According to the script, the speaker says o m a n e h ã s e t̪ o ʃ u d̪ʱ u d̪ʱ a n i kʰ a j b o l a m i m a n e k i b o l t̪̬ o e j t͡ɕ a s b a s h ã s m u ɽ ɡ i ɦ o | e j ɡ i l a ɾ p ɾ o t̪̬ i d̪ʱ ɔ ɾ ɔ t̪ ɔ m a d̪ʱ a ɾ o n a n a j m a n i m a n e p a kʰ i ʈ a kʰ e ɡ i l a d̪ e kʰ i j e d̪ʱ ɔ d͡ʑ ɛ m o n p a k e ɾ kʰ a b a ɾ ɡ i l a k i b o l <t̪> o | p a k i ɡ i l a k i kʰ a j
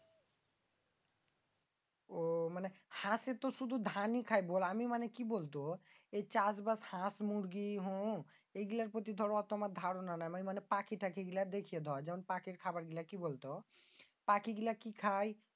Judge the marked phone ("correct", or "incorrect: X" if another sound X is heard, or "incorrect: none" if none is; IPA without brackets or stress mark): correct